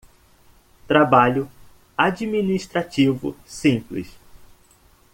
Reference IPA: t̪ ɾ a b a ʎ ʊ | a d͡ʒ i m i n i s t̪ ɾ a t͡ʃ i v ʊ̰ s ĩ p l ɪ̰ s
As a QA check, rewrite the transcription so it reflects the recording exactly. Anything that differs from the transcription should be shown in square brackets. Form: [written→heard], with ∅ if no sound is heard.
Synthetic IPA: t̪ ɾ a b a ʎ ʊ | a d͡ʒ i m i n i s t̪ ɾ a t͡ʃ i v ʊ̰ s ĩ p l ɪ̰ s